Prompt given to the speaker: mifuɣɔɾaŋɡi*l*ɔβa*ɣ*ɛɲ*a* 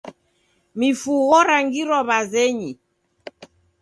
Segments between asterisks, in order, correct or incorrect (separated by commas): incorrect, incorrect, incorrect